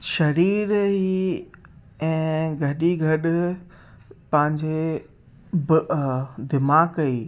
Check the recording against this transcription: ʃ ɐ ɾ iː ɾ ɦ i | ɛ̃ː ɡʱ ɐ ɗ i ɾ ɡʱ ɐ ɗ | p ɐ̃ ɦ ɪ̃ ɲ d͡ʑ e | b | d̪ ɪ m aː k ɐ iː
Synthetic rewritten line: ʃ ɐ ɾ iː ɾ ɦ i | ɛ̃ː ɡʱ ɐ ɗ i ɡʱ ɐ ɗ | p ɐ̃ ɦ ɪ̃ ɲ d͡ʑ e | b | d̪ ɪ m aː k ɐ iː